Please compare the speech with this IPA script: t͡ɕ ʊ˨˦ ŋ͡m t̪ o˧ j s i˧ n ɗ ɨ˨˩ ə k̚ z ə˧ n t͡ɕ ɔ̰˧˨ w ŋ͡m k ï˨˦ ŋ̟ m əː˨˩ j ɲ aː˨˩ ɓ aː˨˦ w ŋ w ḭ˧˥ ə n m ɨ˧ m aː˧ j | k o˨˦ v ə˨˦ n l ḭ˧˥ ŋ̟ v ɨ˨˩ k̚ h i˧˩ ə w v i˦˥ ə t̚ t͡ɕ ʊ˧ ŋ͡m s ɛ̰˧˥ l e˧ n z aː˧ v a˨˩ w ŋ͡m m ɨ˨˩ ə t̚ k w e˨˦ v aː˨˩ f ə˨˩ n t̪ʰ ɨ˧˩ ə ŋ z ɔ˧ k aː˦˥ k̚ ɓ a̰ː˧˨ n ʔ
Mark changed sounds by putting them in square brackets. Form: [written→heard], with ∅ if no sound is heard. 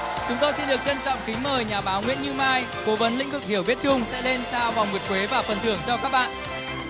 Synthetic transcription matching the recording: t͡ɕ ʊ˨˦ ŋ͡m t̪ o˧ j s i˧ n ɗ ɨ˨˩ ə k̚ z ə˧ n t͡ɕ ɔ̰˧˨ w ŋ͡m k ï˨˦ ŋ̟ m əː˨˩ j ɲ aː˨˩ ɓ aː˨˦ w ŋ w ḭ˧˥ ə n [m→ɲ] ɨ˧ m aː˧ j | k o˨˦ v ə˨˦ n l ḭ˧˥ ŋ̟ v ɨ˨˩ k̚ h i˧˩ ə w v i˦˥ ə t̚ t͡ɕ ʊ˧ ŋ͡m s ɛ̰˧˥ l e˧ n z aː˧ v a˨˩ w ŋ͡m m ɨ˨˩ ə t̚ k w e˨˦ v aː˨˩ f ə˨˩ n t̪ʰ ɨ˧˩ ə ŋ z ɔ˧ k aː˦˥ k̚ ɓ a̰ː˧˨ n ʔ